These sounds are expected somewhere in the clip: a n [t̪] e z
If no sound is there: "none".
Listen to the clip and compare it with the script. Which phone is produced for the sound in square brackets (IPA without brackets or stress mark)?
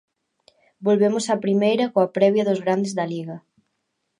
d̪